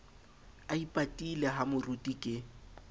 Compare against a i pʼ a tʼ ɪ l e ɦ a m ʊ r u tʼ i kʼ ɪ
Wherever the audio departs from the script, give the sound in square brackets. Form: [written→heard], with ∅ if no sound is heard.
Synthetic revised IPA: a i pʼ a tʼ [ɪ→i] l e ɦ a m ʊ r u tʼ i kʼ ɪ